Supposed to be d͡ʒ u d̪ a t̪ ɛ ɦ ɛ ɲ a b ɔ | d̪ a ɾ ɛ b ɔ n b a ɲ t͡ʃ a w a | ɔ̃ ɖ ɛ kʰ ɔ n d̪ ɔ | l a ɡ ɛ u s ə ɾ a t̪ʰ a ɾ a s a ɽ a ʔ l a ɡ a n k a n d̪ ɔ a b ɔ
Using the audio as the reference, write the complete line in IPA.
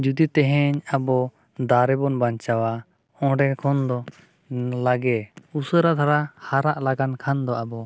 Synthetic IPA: d͡ʒ u d̪ i t̪ ɛ ɦ ɛ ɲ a b ɔ | d̪ a ɾ ɛ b ɔ n b a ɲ t͡ʃ a w a | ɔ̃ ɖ ɛ kʰ ɔ n d̪ ɔ | l a ɡ ɛ u s ə ɾ a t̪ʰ a ɾ a h a ɾ a ʔ l a ɡ a n kʰ a n d̪ ɔ a b ɔ